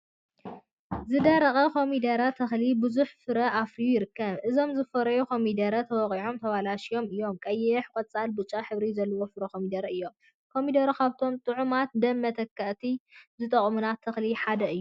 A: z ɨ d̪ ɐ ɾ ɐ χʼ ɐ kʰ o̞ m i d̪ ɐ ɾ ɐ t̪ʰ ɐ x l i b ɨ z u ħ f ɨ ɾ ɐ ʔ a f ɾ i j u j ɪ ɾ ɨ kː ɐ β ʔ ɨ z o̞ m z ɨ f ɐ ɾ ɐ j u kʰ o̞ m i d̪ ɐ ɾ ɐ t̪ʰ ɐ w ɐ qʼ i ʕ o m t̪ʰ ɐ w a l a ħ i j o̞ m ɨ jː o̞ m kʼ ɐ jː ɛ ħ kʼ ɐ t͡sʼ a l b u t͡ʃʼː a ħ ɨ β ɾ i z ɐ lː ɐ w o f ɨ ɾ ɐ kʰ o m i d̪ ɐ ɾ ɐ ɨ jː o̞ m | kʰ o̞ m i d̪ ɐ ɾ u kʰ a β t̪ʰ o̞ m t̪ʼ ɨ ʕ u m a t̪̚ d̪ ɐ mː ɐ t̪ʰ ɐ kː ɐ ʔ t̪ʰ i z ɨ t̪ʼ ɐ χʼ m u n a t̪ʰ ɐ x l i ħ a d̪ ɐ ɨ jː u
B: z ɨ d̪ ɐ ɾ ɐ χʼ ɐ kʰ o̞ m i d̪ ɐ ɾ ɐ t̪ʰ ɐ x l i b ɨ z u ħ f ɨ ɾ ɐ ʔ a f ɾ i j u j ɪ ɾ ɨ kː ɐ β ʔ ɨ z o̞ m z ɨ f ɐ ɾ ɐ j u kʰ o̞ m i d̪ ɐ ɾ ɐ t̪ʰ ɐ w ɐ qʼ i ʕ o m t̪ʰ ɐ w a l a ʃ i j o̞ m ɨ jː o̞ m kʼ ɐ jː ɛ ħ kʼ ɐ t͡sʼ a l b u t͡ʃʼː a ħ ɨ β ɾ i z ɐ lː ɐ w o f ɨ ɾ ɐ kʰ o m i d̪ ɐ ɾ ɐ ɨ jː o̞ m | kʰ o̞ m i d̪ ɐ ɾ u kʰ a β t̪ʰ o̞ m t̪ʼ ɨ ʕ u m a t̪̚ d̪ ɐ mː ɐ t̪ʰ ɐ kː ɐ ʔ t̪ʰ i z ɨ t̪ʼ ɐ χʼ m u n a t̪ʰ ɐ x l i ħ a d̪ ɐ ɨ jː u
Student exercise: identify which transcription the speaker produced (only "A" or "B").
B